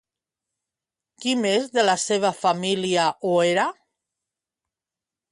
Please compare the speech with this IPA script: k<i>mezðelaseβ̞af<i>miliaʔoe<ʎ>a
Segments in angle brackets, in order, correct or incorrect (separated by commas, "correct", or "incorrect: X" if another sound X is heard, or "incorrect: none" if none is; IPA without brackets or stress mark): correct, incorrect: a, incorrect: ɾ